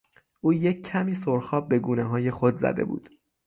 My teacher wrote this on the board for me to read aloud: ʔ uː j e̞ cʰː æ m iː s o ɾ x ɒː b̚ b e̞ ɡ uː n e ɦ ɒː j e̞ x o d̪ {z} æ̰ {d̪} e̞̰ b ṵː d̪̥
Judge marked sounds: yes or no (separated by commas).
yes, yes